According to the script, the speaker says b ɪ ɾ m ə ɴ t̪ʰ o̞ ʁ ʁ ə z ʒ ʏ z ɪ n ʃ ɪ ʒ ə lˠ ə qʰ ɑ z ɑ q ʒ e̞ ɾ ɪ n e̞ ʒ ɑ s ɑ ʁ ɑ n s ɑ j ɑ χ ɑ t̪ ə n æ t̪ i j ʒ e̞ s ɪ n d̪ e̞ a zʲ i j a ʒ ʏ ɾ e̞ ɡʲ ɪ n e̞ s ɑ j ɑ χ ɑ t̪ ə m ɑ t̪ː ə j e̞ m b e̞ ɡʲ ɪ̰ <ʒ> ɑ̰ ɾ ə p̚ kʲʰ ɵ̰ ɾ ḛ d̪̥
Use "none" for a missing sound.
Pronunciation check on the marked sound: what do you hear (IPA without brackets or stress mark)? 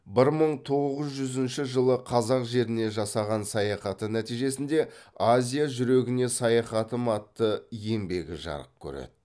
ʒ